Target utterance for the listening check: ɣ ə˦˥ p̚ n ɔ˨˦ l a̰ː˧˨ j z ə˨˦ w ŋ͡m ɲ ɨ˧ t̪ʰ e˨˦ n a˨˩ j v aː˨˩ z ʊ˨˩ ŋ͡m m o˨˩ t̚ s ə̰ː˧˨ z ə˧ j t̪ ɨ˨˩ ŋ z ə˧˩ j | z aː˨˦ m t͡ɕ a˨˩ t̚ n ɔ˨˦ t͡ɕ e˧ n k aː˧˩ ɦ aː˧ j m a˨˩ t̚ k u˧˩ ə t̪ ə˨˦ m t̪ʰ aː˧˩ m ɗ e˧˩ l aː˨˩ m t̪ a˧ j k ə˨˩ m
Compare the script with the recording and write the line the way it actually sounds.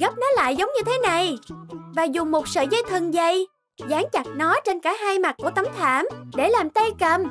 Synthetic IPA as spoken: ɣ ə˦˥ p̚ n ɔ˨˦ l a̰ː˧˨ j z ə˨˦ w ŋ͡m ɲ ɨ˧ t̪ʰ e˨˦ n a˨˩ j v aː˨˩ z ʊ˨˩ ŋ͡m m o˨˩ t̚ s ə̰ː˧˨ z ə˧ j t̪ʰ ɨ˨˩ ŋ z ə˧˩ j | z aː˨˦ ŋ t͡ɕ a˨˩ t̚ n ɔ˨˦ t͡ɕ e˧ n k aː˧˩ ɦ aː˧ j m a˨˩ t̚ k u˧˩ ə t̪ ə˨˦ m t̪ʰ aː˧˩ m ɗ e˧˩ l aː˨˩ m t̪ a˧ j k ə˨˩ m

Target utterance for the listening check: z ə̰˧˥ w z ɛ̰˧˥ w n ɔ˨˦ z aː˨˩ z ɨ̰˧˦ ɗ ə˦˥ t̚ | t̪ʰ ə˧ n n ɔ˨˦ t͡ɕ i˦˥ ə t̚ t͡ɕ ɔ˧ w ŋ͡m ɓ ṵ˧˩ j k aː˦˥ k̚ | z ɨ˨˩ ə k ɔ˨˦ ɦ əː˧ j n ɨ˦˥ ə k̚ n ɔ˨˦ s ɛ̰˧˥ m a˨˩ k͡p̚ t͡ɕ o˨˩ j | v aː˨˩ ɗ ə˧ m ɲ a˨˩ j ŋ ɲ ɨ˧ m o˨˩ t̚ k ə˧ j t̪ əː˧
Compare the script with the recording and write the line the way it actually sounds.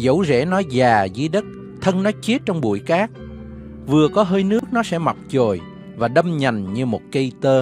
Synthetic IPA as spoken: z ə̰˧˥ w z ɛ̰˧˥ n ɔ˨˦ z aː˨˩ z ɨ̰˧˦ ɗ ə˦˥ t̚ | t̪ʰ ə˧ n n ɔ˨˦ t͡ɕ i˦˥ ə t̚ t͡ɕ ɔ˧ w ŋ͡m ɓ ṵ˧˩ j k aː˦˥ k̚ | v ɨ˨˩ ə k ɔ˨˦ ɦ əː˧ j n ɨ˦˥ ə k̚ n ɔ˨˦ s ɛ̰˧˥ m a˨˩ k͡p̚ t͡ɕ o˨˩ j | v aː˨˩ ɗ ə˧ m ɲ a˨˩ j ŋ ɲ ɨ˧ m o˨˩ t̚ k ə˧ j t̪ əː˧

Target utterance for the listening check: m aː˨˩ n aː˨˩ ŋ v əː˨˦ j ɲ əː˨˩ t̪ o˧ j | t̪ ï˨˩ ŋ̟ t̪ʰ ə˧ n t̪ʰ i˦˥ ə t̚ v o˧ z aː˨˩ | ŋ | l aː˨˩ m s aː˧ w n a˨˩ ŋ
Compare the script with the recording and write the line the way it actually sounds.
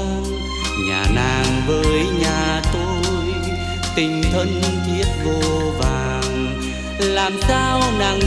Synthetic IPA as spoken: ɲ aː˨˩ n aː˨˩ ŋ v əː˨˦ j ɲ aː˨˩ t̪ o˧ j | t̪ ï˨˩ ŋ̟ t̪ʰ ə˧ n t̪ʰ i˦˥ ə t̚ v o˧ v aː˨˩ | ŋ | l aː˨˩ m s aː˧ w n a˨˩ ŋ

